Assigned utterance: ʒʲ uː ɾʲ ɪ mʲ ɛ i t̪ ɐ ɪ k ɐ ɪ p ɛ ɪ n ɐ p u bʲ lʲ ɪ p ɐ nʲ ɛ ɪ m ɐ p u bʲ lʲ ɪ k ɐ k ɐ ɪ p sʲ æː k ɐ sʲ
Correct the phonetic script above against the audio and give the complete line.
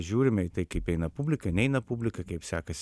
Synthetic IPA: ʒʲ uː ɾʲ ɪ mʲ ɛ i t̪ ɐ ɪ k ɐ ɪ p ɛ ɪ n ɐ p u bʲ lʲ ɪ k ɐ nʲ ɛ ɪ n ɐ p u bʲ lʲ ɪ k ɐ k ɐ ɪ p sʲ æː k ɐ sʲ